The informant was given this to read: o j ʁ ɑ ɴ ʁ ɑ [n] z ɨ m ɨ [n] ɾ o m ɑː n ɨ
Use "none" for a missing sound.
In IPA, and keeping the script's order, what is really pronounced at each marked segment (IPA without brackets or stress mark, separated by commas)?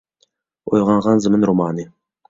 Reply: n, n